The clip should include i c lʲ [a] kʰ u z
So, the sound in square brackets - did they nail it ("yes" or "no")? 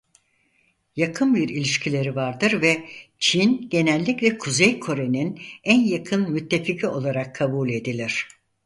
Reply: no